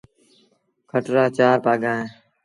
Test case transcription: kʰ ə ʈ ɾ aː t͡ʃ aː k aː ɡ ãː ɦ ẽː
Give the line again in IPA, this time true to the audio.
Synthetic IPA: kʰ ə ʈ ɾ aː t͡ʃ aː p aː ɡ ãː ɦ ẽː

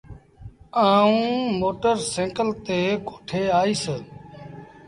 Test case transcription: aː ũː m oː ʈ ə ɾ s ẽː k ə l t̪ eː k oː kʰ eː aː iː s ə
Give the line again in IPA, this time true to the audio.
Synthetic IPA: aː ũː m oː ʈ ə ɾ s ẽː k ə l t̪ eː k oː ʈʰ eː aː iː s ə

